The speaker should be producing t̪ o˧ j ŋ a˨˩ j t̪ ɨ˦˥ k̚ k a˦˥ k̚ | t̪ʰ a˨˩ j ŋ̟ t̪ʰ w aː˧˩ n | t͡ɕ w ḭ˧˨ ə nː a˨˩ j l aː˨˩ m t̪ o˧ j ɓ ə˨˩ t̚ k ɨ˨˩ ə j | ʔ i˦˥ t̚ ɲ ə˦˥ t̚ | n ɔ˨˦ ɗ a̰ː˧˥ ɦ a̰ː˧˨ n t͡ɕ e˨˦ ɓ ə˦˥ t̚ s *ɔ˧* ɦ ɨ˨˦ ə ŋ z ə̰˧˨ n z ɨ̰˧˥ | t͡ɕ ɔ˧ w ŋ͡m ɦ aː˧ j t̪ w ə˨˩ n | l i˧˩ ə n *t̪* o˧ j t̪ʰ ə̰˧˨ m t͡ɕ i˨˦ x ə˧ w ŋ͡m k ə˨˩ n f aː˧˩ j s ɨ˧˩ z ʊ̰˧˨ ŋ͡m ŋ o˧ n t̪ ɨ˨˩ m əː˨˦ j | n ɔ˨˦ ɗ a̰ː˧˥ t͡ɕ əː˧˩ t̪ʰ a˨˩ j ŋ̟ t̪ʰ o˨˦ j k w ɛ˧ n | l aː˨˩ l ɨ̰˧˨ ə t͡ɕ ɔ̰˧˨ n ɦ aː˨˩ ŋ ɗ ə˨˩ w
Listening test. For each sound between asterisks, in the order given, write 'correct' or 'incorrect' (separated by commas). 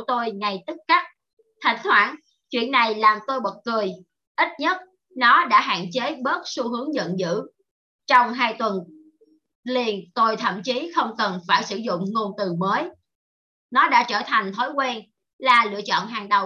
incorrect, correct